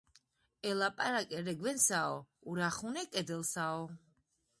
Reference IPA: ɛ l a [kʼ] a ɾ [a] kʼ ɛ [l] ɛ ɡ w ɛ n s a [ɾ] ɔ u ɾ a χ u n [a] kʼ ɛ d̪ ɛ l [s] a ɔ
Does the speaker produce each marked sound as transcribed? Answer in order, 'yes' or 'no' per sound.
no, yes, no, no, no, yes

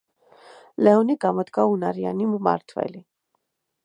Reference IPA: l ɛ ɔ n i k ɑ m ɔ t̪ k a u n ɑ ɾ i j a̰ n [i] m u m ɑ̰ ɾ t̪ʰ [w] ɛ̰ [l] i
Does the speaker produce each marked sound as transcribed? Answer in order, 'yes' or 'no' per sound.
yes, no, yes

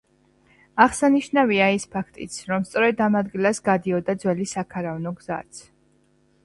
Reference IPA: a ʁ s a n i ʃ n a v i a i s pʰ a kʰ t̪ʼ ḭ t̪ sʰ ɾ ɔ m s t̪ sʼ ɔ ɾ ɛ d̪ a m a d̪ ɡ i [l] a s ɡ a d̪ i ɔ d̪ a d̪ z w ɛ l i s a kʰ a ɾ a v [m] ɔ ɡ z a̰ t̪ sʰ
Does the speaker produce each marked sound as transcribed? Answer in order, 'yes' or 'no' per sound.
yes, no

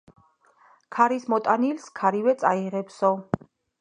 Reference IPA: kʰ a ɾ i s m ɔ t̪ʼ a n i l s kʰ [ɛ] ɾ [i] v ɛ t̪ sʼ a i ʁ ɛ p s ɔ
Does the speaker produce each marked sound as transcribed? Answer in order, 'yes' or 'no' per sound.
no, yes

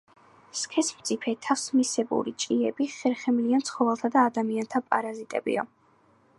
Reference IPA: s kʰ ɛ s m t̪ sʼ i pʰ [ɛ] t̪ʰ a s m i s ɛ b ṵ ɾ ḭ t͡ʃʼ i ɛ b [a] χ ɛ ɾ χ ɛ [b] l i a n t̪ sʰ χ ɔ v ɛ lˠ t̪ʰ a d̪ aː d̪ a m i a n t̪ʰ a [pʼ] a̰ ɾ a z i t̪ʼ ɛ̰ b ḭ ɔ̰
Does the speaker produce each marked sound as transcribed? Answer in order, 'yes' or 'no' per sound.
yes, no, no, yes

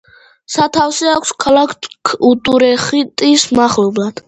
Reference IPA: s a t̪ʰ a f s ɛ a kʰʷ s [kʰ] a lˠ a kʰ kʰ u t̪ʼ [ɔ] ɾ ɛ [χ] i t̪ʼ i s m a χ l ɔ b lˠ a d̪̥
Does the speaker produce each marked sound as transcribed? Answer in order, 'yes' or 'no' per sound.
yes, no, yes

